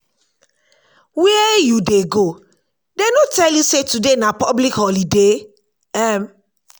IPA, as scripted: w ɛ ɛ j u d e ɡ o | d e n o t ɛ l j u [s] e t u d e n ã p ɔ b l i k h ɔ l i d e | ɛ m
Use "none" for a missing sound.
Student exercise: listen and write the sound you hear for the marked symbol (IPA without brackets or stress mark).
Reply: s